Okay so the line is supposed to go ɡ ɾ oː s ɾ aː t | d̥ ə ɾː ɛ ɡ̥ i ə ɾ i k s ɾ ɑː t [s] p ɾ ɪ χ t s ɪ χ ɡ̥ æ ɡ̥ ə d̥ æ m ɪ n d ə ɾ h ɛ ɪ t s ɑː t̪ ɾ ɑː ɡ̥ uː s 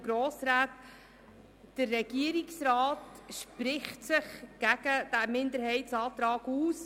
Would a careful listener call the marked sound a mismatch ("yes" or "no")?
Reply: yes